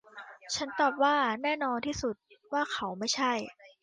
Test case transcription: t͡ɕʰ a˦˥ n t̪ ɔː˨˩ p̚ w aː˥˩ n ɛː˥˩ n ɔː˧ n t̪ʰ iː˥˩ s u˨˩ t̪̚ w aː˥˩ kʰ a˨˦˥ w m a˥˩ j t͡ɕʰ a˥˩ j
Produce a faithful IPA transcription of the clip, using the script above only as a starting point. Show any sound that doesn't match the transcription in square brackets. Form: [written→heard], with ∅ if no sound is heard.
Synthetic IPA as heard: t͡ɕʰ a˦˥ n t̪ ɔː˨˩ p̚ w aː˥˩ n ɛː˥˩ n ɔː˧ n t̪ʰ iː˥˩ s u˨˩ t̪̚ w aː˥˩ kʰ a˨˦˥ w m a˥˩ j t͡ɕʰ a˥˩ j